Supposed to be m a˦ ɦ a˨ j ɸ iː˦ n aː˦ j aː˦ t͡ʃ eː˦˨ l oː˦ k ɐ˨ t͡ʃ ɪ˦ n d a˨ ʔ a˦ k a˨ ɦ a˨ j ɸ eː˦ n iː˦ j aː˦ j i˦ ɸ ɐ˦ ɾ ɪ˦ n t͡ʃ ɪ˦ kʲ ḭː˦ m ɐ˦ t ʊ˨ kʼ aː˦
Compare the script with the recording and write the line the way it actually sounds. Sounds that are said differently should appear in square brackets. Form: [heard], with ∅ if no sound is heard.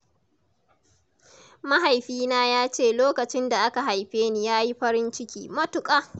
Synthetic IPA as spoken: m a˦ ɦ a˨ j ɸ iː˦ n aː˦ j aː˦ t͡ʃ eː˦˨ l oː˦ k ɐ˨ t͡ʃ ɪ˦ n d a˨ ʔ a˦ k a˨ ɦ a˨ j ɸ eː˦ n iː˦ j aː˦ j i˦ ɸ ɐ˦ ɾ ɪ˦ n t͡ʃ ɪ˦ kʲ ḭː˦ m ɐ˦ t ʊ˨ kʼ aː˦